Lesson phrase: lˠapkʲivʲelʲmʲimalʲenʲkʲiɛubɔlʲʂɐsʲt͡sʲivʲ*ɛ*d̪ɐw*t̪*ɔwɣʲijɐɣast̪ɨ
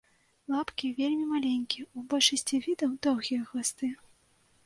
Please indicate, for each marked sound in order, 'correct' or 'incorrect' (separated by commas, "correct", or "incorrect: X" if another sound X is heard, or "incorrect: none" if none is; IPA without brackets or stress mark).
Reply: incorrect: i, incorrect: d̪